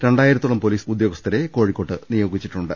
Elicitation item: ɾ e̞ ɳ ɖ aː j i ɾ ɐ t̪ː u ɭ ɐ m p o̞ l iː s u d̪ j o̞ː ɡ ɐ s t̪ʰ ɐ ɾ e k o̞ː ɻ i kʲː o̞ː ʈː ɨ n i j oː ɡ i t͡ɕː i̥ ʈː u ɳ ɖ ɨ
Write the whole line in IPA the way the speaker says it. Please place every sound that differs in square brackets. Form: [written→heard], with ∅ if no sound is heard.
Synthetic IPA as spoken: ɾ e̞ ɳ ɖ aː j i ɾ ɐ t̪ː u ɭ ɐ m p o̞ l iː s u d̪ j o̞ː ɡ ɐ s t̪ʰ ɐ ɾ e k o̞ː ɻ i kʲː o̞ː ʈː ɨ n i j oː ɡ i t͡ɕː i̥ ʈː u ɳ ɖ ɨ